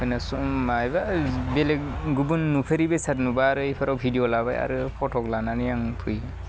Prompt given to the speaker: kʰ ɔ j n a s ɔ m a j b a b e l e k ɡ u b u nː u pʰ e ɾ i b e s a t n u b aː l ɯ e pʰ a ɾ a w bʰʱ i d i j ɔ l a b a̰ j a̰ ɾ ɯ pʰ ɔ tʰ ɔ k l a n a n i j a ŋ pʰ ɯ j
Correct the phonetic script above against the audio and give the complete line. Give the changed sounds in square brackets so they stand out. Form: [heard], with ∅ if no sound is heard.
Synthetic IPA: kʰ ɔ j n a s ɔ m a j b a b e l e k ɡ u b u nː u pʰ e ɾ i b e s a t n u b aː [ɾ] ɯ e pʰ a ɾ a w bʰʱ i d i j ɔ l a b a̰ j a̰ ɾ ɯ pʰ ɔ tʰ ɔ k l a n a n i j a ŋ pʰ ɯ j